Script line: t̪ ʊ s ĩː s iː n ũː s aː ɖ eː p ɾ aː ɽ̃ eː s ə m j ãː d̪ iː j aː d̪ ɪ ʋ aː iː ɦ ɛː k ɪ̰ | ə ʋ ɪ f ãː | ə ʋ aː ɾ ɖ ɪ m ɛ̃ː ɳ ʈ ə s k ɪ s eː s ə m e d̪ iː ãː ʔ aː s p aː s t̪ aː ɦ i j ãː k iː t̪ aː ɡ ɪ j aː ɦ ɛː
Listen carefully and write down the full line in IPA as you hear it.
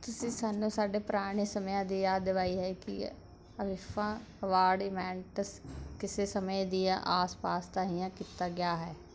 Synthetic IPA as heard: t̪ ʊ s ĩː s aː n ũː s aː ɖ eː p ɾ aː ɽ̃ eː s ə m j ãː d̪ iː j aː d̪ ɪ ʋ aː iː ɦ ɛː k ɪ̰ | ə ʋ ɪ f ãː | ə ʋ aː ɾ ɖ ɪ m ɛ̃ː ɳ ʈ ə s k ɪ s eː s ə m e d̪ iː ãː ʔ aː s p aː s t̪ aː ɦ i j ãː k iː t̪ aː ɡ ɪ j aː ɦ ɛː

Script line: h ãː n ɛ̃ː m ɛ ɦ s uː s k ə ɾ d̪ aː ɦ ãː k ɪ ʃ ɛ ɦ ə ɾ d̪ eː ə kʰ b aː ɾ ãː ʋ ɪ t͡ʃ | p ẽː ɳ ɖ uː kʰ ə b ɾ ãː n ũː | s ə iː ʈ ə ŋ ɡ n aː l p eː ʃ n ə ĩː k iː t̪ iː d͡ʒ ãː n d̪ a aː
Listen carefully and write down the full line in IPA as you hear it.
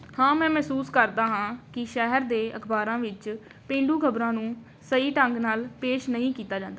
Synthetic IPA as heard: h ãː m ɛ̃ː m ɛ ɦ s uː s k ə ɾ d̪ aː ɦ ãː k ɪ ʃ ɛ ɦ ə ɾ d̪ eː ə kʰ b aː ɾ ãː ʋ ɪ t͡ʃ | p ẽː ɳ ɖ uː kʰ ə b ɾ ãː n ũː | s ə iː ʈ ə ŋ ɡ n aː l p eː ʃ n ə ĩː k iː t̪ aː d͡ʒ ãː n d̪ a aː

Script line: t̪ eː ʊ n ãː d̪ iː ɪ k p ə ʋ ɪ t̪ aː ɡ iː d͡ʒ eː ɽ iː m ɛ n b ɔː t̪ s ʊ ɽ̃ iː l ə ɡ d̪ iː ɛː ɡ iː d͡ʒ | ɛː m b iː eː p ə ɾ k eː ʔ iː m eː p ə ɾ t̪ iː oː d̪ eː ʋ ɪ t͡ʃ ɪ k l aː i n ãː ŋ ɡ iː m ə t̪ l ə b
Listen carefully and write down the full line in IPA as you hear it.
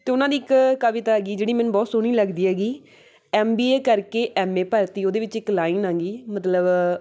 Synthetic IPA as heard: t̪ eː ʊ n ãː d̪ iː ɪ k k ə ʋ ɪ t̪ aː ɡ iː d͡ʒ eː ɽ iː m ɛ n b ɔː t̪ s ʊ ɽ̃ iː l ə ɡ d̪ iː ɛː ɡ iː | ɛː m b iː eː k ə ɾ k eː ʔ ɛː m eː p ə ɾ t̪ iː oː d̪ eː ʋ ɪ t͡ʃ ɪ k l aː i n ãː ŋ ɡ iː m ə t̪ l ə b

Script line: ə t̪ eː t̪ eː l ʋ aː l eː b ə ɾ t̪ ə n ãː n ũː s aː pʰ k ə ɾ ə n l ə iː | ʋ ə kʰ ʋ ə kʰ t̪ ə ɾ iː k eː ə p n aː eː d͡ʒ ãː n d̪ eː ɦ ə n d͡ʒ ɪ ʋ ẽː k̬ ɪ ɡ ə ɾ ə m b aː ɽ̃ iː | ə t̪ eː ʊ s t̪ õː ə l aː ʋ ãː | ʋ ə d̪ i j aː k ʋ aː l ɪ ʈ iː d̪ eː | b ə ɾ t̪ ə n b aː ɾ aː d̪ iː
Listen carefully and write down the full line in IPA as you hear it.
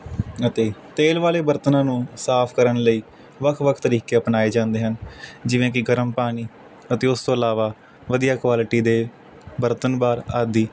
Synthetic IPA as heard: ə t̪ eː t̪ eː l ʋ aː l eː b ə ɾ t̪ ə n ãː n ũː s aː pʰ k ə ɾ ə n l ə iː | ʋ ə kʰ ʋ ə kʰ t̪ ə ɾ iː k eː ə p n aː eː d͡ʒ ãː n d̪ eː ɦ ə n d͡ʒ ɪ ʋ ẽː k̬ ɪ ɡ ə ɾ ə m p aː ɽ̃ iː | ə t̪ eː ʊ s t̪ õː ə l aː ʋ aː | ʋ ə d̪ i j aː k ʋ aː l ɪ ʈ iː d̪ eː | b ə ɾ t̪ ə n b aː ɾ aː d̪ iː

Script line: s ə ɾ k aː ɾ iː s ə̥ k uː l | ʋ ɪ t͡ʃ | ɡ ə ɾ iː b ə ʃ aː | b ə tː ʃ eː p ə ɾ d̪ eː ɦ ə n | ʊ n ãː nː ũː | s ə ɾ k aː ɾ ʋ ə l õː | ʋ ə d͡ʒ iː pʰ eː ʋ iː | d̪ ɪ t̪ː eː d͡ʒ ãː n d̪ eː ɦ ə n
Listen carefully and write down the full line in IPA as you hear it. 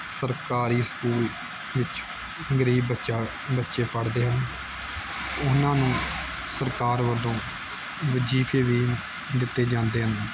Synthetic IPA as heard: s ə ɾ k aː ɾ iː s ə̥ k uː l | ʋ ɪ t͡ʃ | ɡ ə ɾ iː b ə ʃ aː | b ə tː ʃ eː p ə ɽ d̪ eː ɦ ə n | ʊ n ãː n ũː | s ə ɾ k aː ɾ ʋ ə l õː | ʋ ə d͡ʒ iː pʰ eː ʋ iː | d̪ ɪ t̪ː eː d͡ʒ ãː n d̪ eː ɦ ə n

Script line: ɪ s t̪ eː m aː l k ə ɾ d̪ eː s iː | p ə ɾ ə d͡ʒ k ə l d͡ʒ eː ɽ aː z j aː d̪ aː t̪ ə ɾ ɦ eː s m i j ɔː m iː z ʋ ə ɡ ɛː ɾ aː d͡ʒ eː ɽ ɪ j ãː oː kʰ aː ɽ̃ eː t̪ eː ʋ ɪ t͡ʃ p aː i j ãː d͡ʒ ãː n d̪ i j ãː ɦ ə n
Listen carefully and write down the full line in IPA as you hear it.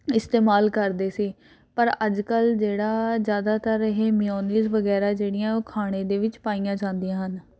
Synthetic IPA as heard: ɪ s t̪ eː m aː l k ə ɾ d̪ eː s iː | p ə ɾ ə d͡ʒ k ə l d͡ʒ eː ɽ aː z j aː d̪ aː t̪ ə ɾ ɦ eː m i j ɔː n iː z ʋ ə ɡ ɛː ɾ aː d͡ʒ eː ɽ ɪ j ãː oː kʰ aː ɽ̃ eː d̪ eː ʋ ɪ t͡ʃ p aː i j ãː d͡ʒ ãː n d̪ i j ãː ɦ ə n

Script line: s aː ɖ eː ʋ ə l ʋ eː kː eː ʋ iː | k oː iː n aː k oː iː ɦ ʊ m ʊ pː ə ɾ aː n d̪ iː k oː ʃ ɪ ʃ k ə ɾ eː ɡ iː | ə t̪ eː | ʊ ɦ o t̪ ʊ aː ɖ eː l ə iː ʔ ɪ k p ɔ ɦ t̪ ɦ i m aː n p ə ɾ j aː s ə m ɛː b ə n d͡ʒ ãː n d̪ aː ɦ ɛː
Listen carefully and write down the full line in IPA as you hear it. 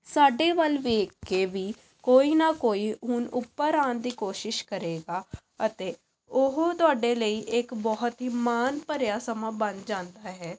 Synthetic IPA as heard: s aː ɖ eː ʋ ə l ʋ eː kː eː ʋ iː | k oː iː n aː k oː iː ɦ ʊ n ʊ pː ə ɾ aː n d̪ iː k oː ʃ ɪ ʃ k ə ɾ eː ɡ aː | ə t̪ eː | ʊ ɦ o t̪ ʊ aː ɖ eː l ə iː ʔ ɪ k b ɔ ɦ t̪ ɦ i m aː n p ə ɾ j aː s ə m aː b ə n d͡ʒ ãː n d̪ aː ɦ ɛː

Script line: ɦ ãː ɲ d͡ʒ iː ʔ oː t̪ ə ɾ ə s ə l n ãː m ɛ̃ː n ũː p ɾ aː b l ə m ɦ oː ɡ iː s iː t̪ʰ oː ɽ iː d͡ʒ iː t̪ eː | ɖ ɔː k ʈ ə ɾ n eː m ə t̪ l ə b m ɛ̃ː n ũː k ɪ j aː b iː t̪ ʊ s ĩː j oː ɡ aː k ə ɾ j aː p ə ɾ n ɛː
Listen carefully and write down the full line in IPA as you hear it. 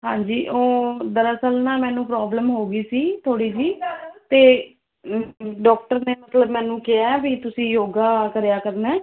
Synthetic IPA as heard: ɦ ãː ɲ d͡ʒ iː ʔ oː d̪ ə ɾ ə s ə l n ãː m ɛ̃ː n ũː p ɾ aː b l ə m ɦ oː ɡ iː s iː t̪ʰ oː ɽ iː d͡ʒ iː t̪ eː | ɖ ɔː k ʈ ə ɾ n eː m ə t̪ l ə b m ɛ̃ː n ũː k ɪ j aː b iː t̪ ʊ s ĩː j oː ɡ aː k ə ɾ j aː k ə ɾ n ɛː

